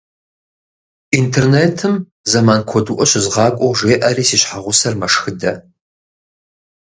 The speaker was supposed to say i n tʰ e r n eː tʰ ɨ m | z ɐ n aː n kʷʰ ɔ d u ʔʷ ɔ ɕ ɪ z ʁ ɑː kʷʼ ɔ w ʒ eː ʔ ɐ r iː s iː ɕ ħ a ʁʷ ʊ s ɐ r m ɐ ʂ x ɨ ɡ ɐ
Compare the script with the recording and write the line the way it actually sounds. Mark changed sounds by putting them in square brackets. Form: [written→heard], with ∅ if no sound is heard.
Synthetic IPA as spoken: i n tʰ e r n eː tʰ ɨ m | z ɐ [n→m] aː n kʷʰ ɔ d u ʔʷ ɔ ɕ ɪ z ʁ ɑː kʷʼ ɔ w ʒ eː ʔ ɐ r iː s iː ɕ ħ a ʁʷ ʊ s ɐ r m ɐ ʂ x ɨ [ɡ→d] ɐ

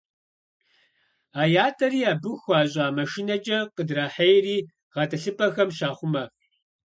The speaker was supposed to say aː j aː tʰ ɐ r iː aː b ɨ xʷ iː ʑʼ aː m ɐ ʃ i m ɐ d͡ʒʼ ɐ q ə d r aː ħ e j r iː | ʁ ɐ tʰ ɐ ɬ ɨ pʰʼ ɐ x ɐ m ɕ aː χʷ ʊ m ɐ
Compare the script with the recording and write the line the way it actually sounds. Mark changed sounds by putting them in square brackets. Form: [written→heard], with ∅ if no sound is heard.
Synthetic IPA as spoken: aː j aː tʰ ɐ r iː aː b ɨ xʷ [iː→aː] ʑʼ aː m ɐ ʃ i [m→n] ɐ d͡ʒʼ ɐ q ə d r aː ħ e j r iː | ʁ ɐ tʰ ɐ ɬ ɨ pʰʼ ɐ x ɐ m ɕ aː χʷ ʊ m ɐ

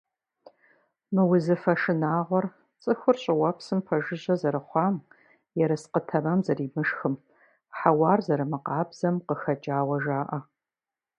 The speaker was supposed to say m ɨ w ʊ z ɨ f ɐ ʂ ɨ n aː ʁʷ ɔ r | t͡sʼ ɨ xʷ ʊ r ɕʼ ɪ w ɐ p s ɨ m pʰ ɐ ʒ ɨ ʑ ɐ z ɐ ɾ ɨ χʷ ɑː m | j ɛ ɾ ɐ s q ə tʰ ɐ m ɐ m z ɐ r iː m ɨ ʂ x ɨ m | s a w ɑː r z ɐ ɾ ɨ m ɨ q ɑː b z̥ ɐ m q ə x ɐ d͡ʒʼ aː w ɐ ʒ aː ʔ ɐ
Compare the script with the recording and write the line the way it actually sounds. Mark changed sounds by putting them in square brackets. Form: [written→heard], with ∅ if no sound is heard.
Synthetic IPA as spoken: m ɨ w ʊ z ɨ f ɐ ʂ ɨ n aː ʁʷ ɔ r | t͡sʼ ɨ xʷ ʊ r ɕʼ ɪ w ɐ p s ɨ m pʰ ɐ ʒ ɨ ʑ ɐ z ɐ ɾ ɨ χʷ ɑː m | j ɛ ɾ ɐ s q ə tʰ ɐ m ɐ m z ɐ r iː m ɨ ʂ x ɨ m | [s→ħ] a w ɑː r z ɐ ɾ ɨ m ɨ q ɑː b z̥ ɐ m q ə x ɐ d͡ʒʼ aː w ɐ ʒ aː ʔ ɐ

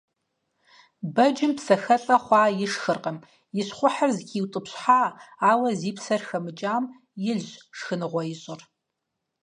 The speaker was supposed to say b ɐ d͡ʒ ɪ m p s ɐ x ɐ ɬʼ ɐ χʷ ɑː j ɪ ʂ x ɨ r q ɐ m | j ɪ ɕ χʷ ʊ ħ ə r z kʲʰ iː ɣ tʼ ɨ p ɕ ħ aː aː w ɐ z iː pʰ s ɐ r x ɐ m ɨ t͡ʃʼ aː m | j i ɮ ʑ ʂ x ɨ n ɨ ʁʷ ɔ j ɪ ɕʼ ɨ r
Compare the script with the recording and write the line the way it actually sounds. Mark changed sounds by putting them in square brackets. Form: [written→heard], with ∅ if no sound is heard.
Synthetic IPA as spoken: b ɐ d͡ʒ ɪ m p s ɐ x ɐ ɬʼ ɐ χʷ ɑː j ɪ ʂ x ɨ r q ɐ m | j ɪ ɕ χʷ ʊ ħ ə r z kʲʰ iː [ɣ→w] tʼ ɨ p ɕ ħ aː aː w ɐ z iː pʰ s ɐ r x ɐ m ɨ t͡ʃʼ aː m | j [i→ɪ] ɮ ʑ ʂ x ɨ n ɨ ʁʷ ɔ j ɪ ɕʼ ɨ r

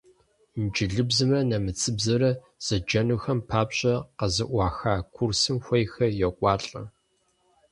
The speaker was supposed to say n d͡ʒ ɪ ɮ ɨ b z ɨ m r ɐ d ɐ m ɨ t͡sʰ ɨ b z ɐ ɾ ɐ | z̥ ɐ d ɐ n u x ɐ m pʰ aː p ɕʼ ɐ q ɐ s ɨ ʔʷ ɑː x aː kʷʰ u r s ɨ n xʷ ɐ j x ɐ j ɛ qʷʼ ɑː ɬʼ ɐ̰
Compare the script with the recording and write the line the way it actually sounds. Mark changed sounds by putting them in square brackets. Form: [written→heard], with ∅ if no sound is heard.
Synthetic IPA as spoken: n d͡ʒ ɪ ɮ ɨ b z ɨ m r ɐ [d→n] ɐ m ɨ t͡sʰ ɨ b z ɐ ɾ ɐ | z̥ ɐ [d→d͡ʒ] ɐ n u x ɐ m pʰ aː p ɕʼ ɐ q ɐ [s→z] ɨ ʔʷ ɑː x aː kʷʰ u r s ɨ [n→m] xʷ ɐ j x ɐ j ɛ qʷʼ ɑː ɬʼ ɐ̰

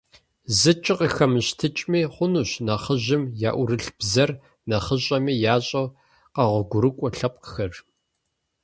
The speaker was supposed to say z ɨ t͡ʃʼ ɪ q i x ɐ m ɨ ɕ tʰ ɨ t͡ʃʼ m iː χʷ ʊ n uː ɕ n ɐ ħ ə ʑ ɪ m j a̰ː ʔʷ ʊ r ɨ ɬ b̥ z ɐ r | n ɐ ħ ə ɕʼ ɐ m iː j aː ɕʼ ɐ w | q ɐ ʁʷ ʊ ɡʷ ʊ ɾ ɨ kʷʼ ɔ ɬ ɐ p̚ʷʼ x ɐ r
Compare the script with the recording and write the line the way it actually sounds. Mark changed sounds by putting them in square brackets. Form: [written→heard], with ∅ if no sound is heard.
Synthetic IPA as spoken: z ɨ t͡ʃʼ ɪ q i x ɐ m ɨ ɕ tʰ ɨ t͡ʃʼ m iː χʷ ʊ n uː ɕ n ɐ [ħ→χ] ə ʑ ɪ m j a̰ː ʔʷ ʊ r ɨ ɬ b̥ z ɐ r | n ɐ [ħ→χ] ə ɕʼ ɐ m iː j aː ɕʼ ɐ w | q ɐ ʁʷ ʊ ɡʷ ʊ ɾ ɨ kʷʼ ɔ ɬ ɐ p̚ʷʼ x ɐ r

